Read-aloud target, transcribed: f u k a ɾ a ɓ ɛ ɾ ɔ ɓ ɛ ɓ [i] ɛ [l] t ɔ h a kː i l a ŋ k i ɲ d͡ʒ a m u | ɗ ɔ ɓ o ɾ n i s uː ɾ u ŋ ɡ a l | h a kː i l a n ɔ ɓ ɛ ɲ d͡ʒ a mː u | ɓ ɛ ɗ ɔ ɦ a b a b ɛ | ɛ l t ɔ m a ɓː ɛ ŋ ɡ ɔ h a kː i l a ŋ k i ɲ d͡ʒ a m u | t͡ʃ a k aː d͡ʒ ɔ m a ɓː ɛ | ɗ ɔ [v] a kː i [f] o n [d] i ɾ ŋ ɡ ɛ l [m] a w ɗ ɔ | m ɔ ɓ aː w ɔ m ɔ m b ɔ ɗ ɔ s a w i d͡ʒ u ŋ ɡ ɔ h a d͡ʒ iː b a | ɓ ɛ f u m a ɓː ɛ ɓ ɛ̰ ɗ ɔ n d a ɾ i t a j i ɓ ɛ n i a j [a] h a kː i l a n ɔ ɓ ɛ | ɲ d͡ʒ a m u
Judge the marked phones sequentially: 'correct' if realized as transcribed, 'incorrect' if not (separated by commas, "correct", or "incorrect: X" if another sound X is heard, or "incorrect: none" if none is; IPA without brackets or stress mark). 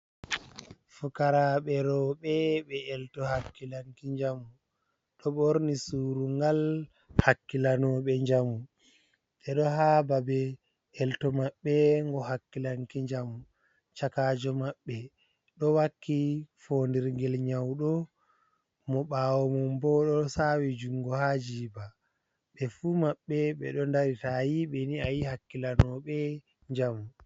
incorrect: ɛ, correct, incorrect: w, correct, correct, incorrect: ɲ, incorrect: i